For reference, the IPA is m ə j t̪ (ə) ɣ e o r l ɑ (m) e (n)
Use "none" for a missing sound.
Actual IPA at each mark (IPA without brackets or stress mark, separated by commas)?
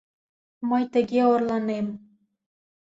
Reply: ə, n, m